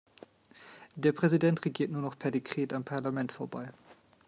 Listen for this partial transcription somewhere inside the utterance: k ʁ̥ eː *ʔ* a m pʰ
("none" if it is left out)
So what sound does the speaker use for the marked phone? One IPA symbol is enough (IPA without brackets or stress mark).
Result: t